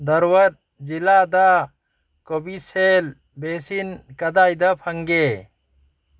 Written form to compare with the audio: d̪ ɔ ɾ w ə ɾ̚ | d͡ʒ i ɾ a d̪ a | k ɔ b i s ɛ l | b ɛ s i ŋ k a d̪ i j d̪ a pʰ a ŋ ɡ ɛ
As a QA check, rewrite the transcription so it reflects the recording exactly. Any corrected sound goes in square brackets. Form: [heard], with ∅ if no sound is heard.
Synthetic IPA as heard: d̪ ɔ ɾ w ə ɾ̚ | d͡ʒ i [l] a d̪ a | k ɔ b i s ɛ l | b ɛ s i [n] k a d̪ [a] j d̪ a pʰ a ŋ ɡ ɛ